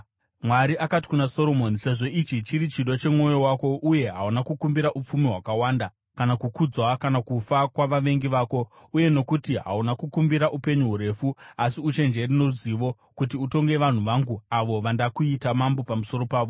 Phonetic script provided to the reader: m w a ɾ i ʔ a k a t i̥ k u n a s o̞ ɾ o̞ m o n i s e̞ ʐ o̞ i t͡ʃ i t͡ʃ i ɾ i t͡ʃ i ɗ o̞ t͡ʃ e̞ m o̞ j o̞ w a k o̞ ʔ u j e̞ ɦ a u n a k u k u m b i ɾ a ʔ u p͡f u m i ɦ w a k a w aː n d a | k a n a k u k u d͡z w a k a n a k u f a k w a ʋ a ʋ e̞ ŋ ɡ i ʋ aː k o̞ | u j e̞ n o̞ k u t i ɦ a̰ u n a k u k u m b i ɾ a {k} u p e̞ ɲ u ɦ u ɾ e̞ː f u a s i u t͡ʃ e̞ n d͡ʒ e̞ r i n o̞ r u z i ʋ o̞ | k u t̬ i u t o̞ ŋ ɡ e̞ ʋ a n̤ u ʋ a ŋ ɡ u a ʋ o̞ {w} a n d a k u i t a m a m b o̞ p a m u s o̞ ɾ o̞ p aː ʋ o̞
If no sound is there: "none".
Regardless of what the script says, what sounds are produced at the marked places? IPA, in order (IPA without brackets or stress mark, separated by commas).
ʔ, ʋ